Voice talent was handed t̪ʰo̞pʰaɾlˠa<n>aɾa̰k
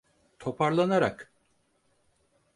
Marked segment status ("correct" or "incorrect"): correct